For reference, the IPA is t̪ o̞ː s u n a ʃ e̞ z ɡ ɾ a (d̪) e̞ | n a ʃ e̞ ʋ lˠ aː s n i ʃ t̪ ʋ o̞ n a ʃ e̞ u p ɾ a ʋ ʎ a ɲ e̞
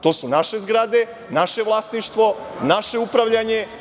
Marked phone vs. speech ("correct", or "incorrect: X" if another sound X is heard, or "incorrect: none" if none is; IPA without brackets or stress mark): correct